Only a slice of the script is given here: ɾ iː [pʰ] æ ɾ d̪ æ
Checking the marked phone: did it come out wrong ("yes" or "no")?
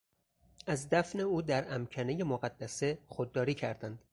yes